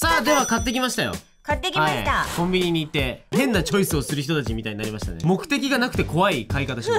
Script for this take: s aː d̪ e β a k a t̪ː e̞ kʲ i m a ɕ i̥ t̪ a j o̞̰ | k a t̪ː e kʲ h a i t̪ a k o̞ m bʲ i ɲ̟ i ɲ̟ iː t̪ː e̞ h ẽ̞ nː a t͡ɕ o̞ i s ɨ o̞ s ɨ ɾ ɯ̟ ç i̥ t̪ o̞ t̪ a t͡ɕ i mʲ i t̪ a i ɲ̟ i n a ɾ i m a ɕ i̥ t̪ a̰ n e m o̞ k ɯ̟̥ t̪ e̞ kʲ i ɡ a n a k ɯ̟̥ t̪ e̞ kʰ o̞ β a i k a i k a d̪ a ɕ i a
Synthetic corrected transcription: s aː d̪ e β a k a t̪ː e̞ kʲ i m a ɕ i̥ t̪ a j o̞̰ | k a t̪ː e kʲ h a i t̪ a k õ̞ m bʲ i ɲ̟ i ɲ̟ iː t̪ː e̞ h ẽ̞ nː a t͡ɕ o̞ i s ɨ o̞ s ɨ ɾ ɯ̟ ç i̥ t̪ o̞ t̪ a t͡ɕ i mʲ i t̪ a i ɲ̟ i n a ɾ i m a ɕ i̥ t̪ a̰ n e m o̞ k ɯ̟̥ t̪ e̞ kʲ i ɡ a n a k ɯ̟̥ t̪ e̞ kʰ o̞ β a i k a i k a t̪ a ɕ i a